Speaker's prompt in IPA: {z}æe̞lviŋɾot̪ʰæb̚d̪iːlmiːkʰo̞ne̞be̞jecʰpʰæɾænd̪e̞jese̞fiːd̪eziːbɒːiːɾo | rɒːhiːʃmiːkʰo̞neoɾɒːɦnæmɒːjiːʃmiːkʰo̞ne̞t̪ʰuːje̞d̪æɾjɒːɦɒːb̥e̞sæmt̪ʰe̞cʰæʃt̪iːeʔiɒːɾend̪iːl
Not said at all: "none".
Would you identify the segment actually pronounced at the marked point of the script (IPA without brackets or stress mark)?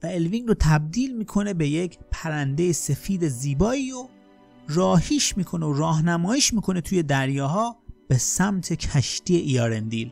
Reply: v